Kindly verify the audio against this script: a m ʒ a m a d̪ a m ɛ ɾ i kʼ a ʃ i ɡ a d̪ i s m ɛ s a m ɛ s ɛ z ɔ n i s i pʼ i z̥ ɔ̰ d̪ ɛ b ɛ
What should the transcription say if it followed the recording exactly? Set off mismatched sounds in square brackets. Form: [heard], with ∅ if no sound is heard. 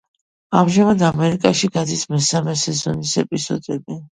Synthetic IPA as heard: a m ʒ a m a d̪ a m ɛ ɾ i kʼ a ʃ i ɡ a d̪ i s m ɛ s a m ɛ s ɛ z ɔ n i s [ɛ] pʼ i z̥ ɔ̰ d̪ ɛ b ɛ